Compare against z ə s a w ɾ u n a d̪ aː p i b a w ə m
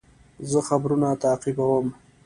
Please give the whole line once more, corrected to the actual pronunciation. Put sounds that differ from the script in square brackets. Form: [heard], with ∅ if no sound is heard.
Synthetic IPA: z ə [x] a [b] ɾ u n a [t̪] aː [q] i b a w ə m